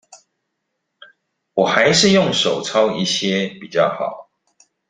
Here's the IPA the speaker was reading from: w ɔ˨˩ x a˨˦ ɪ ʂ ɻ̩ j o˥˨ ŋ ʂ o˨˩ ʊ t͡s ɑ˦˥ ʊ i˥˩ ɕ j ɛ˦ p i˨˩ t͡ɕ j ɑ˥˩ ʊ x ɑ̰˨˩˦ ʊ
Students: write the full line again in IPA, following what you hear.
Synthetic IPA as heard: w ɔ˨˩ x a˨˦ ɪ ʂ ɻ̩ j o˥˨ ŋ ʂ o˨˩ ʊ t͡sʰ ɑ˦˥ ʊ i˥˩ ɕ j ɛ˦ p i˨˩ t͡ɕ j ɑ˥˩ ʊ x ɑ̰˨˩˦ ʊ